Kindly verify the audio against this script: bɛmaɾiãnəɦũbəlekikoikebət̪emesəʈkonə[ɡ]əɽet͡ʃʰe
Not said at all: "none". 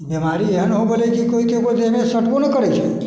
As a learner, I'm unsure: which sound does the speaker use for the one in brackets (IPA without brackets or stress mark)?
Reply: k